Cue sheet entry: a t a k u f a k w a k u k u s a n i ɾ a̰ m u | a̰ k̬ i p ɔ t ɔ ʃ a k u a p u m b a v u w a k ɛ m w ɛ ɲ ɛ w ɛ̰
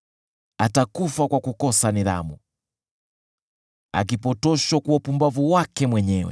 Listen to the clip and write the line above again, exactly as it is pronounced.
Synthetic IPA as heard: a t a k u f a k w a k u k ɔ s a n i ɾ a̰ m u | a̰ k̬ i p ɔ t ɔ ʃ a k u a p u m b a v u w a k ɛ m w ɛ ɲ ɛ w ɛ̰